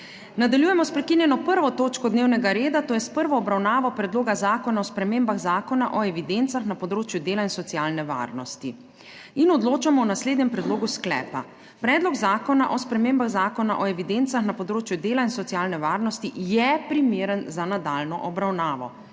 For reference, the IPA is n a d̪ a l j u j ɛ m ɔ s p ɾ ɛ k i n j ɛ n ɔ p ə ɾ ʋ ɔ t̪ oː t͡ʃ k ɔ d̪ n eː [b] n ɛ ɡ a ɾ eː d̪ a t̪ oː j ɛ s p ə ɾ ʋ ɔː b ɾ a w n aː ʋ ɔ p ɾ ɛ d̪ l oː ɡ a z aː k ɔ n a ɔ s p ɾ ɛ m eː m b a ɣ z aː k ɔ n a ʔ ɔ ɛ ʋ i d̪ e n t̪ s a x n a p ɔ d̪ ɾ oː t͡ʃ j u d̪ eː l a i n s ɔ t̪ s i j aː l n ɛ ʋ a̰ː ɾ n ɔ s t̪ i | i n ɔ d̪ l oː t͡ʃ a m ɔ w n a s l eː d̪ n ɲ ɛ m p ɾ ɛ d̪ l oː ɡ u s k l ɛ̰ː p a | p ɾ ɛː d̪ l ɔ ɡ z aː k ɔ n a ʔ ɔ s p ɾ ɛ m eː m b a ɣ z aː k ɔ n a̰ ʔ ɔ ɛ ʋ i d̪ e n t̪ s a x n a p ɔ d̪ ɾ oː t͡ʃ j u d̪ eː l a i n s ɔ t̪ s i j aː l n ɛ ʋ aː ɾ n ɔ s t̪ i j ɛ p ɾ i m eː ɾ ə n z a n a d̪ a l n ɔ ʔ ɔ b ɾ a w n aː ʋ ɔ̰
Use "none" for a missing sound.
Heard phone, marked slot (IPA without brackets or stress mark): w